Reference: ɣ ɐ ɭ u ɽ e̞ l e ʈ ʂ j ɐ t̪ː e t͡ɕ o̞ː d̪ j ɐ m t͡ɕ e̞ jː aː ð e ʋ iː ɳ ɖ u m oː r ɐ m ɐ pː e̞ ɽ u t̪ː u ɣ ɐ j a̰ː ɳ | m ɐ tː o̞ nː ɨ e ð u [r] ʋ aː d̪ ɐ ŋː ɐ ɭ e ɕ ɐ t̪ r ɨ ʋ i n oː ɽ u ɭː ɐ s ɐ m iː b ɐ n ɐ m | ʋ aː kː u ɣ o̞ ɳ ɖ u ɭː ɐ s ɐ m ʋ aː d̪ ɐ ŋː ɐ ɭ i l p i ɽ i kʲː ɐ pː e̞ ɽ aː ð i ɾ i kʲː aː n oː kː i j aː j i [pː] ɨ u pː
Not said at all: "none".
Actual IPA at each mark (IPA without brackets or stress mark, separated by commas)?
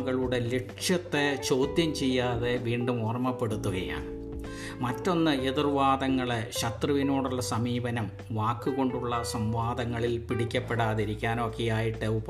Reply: r, ʈː